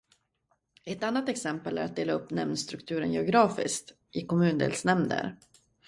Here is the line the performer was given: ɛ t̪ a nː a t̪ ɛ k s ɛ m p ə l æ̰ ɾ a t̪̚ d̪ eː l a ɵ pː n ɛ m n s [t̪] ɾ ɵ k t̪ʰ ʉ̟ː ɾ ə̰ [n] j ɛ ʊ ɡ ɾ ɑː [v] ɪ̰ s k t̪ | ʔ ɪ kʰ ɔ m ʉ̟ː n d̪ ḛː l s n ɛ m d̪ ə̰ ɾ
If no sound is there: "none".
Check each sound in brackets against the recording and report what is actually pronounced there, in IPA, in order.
t̪, n, f

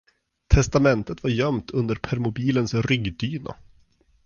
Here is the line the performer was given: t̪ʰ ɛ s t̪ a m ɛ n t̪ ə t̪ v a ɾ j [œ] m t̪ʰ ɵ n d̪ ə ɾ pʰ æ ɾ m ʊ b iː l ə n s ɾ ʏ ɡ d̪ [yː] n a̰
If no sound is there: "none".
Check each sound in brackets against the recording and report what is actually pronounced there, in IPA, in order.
œ, yː

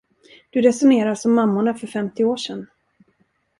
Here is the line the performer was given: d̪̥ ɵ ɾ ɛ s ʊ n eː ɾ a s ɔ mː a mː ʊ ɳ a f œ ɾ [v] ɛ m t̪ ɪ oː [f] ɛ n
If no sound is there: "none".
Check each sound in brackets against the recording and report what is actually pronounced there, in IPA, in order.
f, ʂ

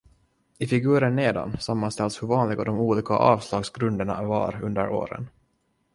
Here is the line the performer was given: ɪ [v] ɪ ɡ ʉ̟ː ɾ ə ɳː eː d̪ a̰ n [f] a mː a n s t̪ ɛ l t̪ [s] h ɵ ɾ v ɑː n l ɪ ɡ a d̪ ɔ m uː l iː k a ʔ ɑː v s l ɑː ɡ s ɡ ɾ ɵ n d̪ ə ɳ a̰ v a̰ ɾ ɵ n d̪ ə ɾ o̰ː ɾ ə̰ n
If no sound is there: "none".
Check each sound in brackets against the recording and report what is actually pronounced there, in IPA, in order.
f, s, s

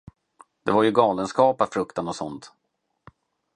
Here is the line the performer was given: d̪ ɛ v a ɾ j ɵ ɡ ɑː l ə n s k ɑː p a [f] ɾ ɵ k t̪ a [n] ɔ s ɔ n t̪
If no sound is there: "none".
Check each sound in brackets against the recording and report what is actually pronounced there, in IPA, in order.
f, n

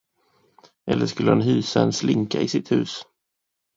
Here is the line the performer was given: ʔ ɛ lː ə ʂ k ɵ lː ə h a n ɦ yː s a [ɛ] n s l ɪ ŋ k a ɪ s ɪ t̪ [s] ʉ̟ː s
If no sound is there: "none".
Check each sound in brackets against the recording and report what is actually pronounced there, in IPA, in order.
ɛ, h

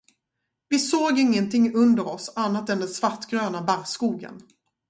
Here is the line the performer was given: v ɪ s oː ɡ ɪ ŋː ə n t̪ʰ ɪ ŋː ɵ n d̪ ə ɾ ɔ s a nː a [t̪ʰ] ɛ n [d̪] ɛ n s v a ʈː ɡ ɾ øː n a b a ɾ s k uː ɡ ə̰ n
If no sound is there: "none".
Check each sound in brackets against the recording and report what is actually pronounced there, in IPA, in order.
t̪, d̪

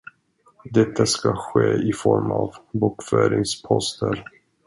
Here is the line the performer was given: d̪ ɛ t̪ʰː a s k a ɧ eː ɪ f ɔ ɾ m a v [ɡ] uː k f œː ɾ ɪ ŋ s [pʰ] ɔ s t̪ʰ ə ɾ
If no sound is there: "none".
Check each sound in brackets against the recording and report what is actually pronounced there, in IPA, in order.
b, pʰ

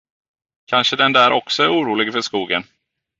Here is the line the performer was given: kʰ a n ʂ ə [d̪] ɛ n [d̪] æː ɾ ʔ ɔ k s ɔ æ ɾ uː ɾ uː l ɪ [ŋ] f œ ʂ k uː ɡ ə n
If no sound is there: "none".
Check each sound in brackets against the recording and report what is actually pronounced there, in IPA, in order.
d̪, d̪, ɡ

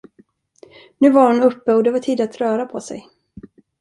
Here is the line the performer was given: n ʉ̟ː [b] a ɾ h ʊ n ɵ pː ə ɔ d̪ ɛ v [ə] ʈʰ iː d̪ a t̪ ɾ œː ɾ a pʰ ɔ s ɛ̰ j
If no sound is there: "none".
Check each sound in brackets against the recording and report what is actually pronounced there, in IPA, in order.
v, a

